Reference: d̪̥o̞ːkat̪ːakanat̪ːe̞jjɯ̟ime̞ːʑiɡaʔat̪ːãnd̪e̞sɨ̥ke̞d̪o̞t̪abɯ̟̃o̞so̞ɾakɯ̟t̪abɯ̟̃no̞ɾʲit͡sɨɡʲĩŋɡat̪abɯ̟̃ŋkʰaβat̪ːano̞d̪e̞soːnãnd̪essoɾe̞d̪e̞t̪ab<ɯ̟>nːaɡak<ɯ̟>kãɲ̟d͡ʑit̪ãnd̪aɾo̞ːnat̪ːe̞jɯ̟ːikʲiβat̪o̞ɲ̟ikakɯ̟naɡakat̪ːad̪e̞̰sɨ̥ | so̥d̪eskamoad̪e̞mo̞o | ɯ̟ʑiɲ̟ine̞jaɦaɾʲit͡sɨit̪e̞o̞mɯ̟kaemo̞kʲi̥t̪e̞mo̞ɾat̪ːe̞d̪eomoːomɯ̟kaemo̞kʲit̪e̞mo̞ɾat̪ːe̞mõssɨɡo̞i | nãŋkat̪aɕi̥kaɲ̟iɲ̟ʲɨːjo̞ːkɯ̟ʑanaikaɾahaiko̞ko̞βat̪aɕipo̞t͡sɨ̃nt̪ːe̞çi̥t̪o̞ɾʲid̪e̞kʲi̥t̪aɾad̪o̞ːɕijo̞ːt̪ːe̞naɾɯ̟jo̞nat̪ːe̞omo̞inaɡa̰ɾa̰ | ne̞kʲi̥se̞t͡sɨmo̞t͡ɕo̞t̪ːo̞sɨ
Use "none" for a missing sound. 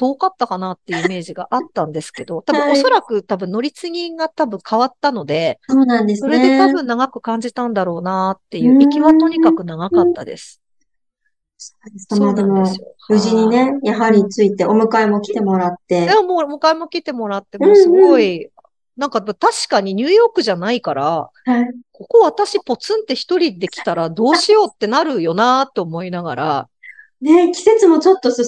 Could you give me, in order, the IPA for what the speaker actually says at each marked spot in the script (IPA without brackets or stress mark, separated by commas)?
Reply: ɯ̟̃, ɯ̟